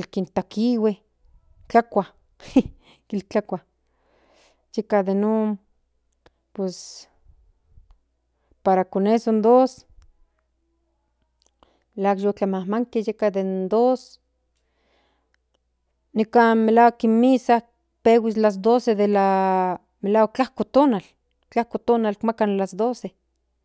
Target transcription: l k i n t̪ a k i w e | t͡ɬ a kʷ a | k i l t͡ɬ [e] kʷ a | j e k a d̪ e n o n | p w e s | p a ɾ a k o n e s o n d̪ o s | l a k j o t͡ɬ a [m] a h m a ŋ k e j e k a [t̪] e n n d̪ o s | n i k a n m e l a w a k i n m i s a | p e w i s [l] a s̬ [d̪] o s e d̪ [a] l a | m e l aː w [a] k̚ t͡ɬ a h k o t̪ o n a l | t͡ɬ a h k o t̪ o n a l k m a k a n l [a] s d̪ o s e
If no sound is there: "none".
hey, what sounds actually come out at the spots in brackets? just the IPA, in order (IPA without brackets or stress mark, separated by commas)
a, m, d̪, l, d̪, e, a, a